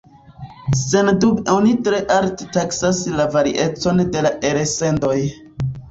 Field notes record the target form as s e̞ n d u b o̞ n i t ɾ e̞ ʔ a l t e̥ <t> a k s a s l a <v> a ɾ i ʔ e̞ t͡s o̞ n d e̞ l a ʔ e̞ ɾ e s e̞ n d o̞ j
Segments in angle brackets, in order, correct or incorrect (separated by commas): correct, correct